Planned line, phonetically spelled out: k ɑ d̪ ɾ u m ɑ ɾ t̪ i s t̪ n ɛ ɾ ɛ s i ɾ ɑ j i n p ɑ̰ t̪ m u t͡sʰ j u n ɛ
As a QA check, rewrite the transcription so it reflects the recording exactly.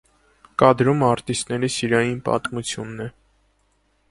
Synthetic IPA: k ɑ d̪ ɾ u m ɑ ɾ t̪ i s t̪ n ɛ ɾ i s i ɾ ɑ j i n p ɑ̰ t̪ m u t͡sʰ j u nː ɛ